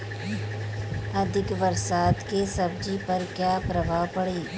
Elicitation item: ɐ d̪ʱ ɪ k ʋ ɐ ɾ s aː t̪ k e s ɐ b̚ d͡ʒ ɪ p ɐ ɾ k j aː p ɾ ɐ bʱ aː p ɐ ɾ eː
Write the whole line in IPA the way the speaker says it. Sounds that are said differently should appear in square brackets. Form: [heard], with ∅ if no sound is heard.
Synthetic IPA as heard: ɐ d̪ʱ ɪ k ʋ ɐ ɾ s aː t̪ k e s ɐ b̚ d͡ʒ [i] p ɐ ɾ k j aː p ɾ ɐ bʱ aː p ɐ [ɽ] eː